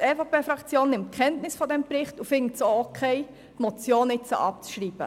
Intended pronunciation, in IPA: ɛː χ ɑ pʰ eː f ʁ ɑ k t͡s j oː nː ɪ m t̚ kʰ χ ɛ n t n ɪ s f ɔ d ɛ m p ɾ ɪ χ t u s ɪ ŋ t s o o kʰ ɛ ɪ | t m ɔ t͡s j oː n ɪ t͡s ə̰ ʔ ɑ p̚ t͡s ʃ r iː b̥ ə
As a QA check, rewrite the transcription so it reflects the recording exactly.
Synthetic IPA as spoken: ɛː f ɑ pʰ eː f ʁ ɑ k t͡s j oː nː ɪ m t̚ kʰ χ ɛ n t n ɪ s f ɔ d ɛ m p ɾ ɪ χ t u f ɪ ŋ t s o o kʰ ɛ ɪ | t m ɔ t͡s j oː n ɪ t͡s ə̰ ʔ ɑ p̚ t͡s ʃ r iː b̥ ə

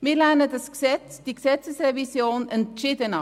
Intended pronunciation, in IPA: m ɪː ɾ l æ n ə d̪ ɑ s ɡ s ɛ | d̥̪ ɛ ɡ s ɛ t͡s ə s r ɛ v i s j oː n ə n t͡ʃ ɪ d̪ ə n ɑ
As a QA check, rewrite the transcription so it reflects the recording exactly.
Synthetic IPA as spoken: m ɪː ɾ l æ n ə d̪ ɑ s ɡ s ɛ | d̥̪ i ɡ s ɛ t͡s ə s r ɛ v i s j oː n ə n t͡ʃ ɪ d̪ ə n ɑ

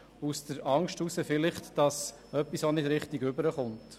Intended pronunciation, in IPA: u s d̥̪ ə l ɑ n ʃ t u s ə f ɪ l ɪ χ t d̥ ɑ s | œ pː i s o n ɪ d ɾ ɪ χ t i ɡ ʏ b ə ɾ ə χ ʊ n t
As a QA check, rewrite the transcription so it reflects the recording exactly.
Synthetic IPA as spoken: u s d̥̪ ə ɾ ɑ ŋ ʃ t u s ə f ɪ l ɪ χ t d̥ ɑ s | œ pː i s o n ɪ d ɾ ɪ χ t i ɡ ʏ b ə ɾ ə χ ʊ n t

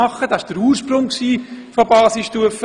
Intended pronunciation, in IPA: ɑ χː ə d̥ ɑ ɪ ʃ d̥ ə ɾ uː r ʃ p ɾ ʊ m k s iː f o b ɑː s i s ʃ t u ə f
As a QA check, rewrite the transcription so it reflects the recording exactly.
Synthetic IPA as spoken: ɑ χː ə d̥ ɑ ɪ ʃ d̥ ə ɾ uː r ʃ p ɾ ʊ ŋ k s iː f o b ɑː s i s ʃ t u ə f

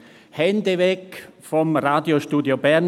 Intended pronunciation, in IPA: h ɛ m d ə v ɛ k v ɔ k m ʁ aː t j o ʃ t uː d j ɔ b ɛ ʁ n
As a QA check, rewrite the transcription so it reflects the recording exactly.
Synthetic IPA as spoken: h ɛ n d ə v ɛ k f ɔ m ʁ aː d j o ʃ t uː d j o b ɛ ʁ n

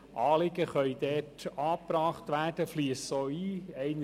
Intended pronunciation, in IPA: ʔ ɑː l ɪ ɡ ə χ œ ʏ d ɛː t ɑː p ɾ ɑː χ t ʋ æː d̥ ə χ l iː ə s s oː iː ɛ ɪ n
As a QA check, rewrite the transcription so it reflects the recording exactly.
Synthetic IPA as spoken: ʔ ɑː l ɪ ɡ ə χ œ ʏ d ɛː t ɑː p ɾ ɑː χ t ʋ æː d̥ ə f l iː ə s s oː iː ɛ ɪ n

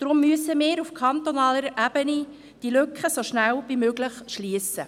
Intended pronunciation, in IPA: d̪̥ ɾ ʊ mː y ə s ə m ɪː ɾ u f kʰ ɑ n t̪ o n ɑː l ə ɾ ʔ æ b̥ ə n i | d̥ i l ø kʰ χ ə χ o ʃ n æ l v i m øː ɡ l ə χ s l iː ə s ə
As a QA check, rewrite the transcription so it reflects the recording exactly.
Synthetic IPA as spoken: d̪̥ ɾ ʊ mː y ə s ə m ɪː ɾ u f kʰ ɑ n t̪ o n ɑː l ə ɾ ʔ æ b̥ ə n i | d̥ i l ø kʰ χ ə s o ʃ n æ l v i m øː ɡ l ə χ ʃ l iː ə s ə

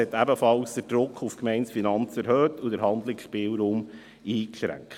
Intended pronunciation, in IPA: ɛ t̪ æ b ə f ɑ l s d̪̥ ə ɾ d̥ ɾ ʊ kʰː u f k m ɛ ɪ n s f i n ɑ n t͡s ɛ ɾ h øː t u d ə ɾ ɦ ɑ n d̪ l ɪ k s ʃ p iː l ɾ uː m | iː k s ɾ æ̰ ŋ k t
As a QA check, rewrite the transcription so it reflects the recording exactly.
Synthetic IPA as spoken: ɛ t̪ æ b ə f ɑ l s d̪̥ ə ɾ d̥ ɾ ʊ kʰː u f k m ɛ ɪ n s f i n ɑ n t͡s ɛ ɾ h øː t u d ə ɾ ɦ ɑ n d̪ l ɪ k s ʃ p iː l ɾ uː m | iː k ʃ ɾ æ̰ ŋ k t

